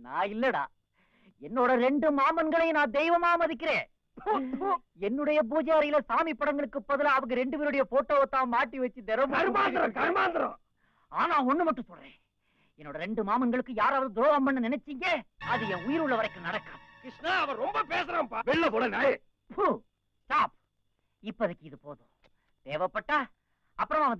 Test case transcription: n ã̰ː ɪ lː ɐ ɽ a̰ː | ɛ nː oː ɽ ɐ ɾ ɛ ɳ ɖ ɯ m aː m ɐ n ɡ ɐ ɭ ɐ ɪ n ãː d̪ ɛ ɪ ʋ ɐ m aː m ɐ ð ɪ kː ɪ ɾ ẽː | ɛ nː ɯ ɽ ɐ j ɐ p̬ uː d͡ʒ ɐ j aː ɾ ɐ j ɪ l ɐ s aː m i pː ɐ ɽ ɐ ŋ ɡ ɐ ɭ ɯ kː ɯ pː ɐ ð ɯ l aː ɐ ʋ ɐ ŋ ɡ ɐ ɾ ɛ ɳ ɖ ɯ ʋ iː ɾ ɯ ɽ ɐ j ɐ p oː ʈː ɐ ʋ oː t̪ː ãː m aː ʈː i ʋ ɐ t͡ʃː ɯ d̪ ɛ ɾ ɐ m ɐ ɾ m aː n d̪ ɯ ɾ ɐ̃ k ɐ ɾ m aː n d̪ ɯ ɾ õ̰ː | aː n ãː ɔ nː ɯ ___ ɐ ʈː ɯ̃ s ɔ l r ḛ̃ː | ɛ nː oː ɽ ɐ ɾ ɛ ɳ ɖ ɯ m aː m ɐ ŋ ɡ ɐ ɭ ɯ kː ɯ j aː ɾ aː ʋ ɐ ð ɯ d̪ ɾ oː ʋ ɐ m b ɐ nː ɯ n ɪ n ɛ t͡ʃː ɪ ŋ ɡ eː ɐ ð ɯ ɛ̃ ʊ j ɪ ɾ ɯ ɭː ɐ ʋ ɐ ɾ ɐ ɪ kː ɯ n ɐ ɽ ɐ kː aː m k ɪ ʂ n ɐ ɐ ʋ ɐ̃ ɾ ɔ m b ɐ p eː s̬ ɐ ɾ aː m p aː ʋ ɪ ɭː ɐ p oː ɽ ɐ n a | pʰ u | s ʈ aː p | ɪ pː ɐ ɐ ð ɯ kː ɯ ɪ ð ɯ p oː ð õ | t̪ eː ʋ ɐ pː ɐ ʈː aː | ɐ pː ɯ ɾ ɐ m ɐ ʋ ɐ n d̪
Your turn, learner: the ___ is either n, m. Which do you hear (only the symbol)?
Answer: m